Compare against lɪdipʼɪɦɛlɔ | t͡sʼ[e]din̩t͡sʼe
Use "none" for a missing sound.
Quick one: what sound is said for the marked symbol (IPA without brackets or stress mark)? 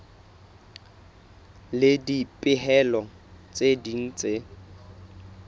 e